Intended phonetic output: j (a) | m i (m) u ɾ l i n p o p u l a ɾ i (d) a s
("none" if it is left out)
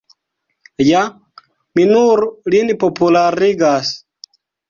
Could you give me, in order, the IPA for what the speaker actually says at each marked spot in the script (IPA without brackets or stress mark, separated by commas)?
a, n, ɡ